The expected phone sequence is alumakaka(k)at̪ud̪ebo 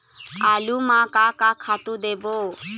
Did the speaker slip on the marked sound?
yes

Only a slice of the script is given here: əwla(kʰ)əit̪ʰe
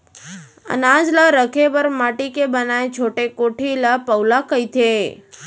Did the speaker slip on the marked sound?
yes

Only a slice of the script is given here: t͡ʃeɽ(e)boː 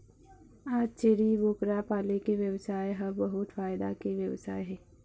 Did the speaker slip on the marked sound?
yes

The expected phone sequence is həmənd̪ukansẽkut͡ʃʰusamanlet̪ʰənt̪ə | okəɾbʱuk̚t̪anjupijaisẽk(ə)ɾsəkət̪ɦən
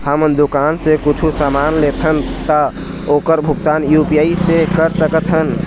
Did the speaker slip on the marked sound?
no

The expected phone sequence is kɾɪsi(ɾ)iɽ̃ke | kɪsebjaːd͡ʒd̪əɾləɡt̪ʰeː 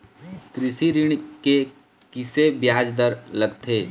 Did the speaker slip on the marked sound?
no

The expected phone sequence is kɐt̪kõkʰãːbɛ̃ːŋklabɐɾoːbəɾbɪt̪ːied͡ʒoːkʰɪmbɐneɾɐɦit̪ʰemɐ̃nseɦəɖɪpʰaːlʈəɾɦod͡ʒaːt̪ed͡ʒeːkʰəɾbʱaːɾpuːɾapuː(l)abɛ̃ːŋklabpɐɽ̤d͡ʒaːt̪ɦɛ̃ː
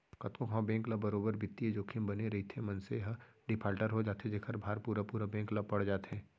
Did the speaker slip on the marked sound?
yes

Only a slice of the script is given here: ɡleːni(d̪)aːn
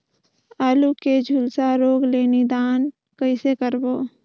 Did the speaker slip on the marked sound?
no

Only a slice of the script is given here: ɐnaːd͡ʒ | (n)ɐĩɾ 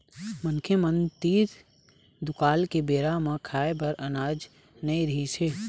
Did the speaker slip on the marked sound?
no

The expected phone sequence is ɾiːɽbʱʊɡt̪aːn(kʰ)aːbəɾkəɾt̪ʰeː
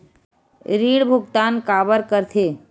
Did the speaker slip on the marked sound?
yes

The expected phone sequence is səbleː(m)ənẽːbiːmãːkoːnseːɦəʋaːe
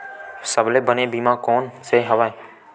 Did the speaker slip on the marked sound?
yes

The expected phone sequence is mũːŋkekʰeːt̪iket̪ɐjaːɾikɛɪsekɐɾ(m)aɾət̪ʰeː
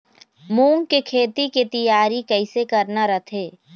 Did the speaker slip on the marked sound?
yes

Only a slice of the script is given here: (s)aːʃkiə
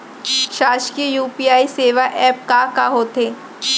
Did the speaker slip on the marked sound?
yes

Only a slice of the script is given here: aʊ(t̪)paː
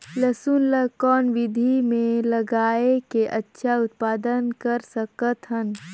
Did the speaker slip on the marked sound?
no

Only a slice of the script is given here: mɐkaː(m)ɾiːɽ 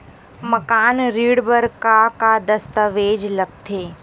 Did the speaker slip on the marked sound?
yes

